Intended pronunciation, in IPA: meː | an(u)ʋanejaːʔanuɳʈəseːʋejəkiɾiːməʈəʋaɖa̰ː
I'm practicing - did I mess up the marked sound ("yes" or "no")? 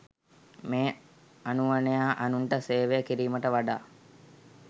no